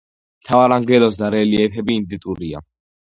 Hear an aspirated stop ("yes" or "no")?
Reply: yes